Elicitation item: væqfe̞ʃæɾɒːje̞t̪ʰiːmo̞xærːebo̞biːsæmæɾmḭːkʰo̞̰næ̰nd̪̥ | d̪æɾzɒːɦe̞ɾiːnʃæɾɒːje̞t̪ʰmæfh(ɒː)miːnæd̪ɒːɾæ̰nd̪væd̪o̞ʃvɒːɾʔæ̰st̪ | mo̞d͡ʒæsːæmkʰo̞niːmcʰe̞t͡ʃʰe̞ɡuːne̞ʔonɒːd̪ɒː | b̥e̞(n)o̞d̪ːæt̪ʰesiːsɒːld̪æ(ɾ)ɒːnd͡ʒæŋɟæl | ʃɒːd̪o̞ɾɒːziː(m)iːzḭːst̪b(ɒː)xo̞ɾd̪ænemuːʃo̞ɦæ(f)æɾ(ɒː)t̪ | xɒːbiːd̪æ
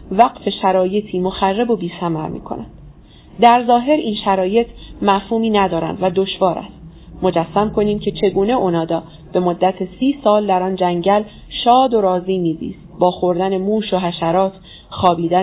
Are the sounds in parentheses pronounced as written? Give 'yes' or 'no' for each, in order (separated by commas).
no, no, yes, yes, yes, no, yes